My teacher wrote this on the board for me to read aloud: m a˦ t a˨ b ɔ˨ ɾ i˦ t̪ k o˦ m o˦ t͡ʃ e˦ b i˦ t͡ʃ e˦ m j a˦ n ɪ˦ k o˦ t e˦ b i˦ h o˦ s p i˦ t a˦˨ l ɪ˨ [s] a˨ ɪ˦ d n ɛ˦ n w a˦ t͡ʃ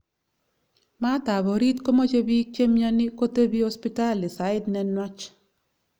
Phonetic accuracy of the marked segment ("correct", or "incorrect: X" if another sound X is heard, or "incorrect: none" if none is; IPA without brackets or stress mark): correct